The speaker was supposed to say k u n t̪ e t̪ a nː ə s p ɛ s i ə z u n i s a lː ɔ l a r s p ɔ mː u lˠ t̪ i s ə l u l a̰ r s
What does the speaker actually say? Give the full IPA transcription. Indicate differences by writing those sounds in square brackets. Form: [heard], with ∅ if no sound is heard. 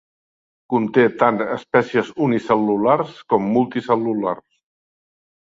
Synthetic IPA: k u n t̪ e t̪ a [n] ə s p ɛ s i ə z u n i s [ə] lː [u] l a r s [k] ɔ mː u lˠ t̪ i s ə l u l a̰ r s